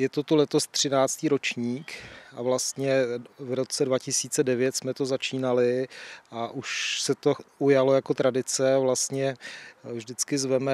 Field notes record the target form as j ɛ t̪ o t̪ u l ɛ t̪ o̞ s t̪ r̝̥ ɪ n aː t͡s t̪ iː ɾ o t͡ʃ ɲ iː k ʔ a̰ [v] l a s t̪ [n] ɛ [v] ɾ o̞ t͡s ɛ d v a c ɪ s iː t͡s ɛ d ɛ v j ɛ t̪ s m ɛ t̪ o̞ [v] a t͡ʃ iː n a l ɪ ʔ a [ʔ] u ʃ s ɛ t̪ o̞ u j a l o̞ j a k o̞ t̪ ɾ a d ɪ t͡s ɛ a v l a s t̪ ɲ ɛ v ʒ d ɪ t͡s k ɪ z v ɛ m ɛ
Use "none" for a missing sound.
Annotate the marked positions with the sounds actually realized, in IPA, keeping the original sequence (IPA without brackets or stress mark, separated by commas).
v, ɲ, v, z, ʔ